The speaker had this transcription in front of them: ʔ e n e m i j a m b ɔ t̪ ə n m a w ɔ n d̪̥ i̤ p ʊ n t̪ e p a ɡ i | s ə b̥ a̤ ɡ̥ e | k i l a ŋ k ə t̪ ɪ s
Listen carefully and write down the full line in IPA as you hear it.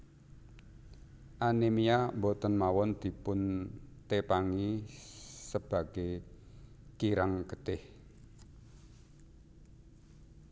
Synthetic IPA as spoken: ʔ a n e m i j a m b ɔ t̪ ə n m a w ɔ n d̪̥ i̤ p ʊ n t̪ e p a ŋ i | s ə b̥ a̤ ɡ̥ e | k i ɾ a ŋ k ə t̪ ɪ h